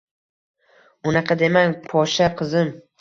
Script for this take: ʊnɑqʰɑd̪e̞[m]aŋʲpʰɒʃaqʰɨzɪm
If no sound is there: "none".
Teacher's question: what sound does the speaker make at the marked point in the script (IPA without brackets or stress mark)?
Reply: m